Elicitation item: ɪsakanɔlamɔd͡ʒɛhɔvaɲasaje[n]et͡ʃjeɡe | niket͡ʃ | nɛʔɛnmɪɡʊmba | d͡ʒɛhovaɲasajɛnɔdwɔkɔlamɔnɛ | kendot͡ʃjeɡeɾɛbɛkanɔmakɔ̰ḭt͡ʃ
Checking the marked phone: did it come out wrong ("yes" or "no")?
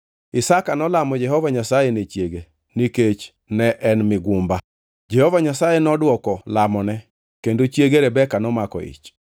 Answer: no